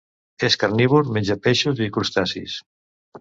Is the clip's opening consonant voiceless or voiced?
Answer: voiceless